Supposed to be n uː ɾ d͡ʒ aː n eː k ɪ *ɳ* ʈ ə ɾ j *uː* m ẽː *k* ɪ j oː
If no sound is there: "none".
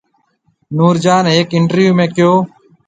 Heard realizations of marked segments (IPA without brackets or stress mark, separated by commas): ɳ, uː, k